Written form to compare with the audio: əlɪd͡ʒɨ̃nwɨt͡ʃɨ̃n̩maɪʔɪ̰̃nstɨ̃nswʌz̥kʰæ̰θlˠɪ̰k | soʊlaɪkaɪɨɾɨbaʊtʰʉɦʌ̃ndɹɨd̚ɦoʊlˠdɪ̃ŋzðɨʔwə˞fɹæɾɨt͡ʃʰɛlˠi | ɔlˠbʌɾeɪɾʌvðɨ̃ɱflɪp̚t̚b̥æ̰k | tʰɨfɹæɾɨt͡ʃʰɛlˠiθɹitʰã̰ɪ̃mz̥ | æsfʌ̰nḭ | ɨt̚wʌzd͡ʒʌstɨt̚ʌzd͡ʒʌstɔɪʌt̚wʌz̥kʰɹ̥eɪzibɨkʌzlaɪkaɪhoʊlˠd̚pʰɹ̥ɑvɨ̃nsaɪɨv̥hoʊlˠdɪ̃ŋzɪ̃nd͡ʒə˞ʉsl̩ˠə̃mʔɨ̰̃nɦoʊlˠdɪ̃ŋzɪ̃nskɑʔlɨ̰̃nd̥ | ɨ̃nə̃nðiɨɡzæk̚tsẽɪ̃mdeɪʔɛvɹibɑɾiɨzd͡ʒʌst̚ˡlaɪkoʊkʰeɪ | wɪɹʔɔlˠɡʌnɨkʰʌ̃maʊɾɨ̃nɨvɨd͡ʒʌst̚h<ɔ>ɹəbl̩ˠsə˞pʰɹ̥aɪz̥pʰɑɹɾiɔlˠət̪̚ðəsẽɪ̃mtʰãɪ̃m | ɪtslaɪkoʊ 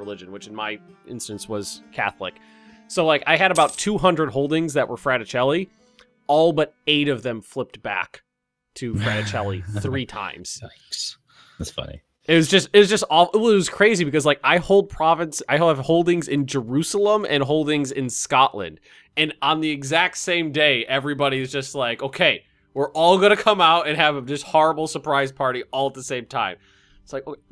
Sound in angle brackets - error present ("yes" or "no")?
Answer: no